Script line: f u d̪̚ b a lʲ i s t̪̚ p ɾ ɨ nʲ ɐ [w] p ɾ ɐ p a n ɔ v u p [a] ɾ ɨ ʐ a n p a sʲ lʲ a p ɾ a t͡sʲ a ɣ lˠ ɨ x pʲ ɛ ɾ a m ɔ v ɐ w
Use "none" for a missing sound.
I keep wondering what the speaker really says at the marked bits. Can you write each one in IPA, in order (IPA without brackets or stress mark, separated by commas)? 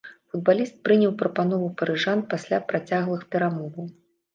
w, ɐ